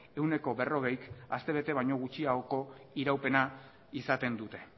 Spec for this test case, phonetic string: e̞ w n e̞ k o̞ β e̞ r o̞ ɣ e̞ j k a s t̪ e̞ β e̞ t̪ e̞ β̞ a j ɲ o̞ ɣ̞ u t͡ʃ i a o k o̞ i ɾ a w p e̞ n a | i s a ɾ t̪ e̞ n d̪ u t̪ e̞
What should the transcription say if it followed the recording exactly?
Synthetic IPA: e̞ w n e̞ k o̞ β e̞ r o̞ ɣ e̞ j k a s t̪ e̞ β e̞ t̪ e̞ β̞ a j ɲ o̞ ɣ̞ u t͡ʃ i a o k o̞ i ɾ a w p e̞ n a | i s a t̪ e̞ n d̪ u t̪ e̞